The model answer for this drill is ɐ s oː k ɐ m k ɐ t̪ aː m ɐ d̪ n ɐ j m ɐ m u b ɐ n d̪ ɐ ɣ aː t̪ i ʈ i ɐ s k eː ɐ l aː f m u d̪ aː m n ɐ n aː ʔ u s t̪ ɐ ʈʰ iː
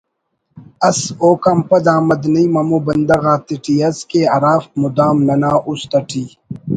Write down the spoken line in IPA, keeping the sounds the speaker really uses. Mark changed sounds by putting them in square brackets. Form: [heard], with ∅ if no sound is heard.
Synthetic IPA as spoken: ɐ s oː k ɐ m [p] ɐ [d̪] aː m ɐ d̪ n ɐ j m ɐ m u b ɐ n d̪ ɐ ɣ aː t̪ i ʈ i ɐ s k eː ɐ [ɾ] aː f m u d̪ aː m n ɐ n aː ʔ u s t̪ ɐ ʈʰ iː